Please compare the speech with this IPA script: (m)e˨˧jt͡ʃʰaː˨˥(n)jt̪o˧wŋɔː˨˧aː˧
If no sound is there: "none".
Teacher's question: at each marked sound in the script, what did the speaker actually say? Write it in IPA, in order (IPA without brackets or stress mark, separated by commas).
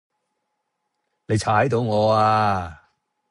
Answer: n, none